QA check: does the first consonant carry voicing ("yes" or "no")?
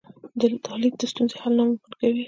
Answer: yes